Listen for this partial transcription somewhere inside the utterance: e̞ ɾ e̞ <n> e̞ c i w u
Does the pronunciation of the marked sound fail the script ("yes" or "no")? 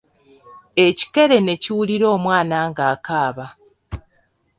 no